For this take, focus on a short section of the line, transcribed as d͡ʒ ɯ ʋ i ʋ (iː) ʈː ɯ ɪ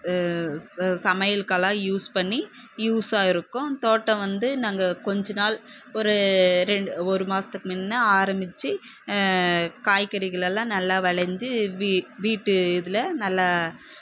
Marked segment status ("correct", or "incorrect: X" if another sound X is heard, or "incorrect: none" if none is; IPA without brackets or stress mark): correct